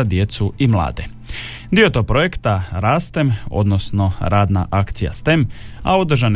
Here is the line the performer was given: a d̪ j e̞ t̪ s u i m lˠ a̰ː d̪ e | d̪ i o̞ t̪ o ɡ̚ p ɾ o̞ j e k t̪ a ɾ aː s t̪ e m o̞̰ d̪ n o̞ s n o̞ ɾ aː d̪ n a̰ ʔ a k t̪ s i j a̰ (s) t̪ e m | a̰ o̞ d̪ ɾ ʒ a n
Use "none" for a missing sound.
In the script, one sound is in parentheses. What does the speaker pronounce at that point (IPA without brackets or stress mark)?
s